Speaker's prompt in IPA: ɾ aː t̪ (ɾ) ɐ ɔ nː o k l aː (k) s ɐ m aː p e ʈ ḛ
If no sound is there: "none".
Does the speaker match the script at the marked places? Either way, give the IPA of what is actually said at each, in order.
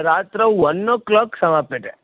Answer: ɾ, k

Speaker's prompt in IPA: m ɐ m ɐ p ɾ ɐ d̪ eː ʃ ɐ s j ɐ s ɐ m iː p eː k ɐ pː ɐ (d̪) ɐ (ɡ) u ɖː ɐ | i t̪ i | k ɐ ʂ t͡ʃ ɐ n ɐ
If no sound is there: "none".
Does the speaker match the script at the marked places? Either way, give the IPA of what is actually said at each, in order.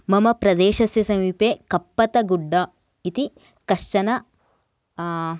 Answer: t̪, ɡ

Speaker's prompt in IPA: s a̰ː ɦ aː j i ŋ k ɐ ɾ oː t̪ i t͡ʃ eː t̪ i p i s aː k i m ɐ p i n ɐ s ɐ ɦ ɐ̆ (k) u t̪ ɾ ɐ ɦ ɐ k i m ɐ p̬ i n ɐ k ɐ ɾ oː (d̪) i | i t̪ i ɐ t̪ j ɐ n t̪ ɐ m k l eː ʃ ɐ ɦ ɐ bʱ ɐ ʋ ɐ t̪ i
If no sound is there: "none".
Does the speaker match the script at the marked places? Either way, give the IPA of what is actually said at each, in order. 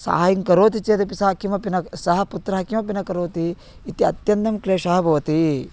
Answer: p, t̪

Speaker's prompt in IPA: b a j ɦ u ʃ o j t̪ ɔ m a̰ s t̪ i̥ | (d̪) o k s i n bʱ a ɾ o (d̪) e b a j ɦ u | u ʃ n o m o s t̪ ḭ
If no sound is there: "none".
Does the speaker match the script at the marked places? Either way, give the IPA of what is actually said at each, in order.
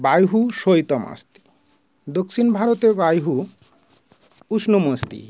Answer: d̪, t̪

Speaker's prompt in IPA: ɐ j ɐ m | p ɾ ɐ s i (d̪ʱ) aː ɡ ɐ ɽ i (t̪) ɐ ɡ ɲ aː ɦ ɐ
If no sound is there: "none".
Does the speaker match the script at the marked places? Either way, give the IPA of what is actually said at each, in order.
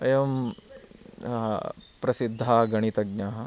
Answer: d̪ʱː, t̪

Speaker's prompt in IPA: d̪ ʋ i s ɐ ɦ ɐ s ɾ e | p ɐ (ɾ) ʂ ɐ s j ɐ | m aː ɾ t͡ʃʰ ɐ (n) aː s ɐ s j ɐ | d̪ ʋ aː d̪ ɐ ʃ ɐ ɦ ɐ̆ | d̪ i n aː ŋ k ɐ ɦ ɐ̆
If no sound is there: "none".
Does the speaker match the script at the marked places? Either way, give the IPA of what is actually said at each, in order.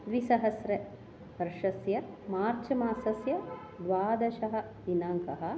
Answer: ɾ, m

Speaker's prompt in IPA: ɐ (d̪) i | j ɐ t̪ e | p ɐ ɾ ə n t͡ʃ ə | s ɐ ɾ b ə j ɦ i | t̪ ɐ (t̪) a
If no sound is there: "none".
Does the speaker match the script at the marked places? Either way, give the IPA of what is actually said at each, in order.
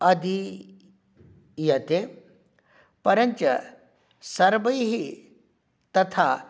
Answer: d̪, t̪ʰ

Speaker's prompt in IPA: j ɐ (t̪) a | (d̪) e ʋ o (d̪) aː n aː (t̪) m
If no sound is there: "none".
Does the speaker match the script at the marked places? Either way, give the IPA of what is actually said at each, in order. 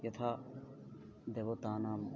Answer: t̪ʰ, d̪, t̪, none

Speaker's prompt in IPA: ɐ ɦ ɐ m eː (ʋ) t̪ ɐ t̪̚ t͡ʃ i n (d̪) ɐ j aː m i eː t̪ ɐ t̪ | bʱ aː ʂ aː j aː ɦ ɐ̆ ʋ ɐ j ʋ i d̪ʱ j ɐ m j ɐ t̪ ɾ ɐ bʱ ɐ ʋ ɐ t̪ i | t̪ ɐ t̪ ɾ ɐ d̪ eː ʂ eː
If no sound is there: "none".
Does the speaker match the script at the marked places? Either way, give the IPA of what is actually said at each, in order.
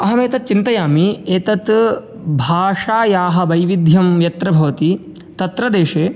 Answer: none, t̪

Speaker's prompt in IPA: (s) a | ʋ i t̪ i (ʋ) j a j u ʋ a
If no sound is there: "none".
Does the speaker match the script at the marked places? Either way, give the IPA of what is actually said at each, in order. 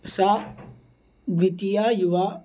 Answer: s, none

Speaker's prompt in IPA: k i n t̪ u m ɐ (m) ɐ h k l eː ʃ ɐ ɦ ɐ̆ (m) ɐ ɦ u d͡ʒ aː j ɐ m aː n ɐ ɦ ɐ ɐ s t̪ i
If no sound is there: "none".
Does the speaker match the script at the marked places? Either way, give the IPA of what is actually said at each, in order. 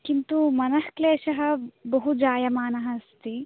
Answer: n, b

